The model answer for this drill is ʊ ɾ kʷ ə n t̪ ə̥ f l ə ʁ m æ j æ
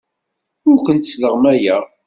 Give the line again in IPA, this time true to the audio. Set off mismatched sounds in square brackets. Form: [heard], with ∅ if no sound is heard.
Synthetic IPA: ʊ ɾ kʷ ə n t̪ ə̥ [s] l ə ʁ m æ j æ